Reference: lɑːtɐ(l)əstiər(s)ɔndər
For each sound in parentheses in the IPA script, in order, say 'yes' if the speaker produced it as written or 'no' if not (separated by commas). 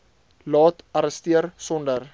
no, yes